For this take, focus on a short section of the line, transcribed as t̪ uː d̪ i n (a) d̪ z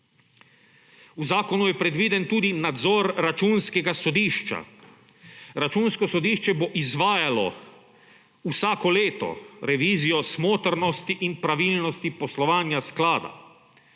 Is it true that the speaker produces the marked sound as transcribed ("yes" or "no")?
yes